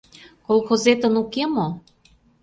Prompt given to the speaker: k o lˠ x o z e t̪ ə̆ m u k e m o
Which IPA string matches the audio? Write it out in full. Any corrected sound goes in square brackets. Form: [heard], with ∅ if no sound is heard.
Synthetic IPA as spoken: k o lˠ x o z e t̪ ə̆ [n] u k e m o